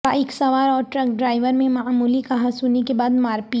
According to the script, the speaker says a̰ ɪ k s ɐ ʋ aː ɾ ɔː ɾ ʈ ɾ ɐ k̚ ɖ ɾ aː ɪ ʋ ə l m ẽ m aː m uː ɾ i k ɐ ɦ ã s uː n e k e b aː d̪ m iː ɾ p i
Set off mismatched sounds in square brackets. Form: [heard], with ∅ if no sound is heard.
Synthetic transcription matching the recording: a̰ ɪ k s ɐ ʋ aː ɾ ɔː ɾ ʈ ɾ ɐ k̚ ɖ ɾ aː ɪ ʋ ə [ɾ] m ẽ m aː m uː [l] i k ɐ ɦ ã s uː n e k e b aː d̪ m [aː] ɾ p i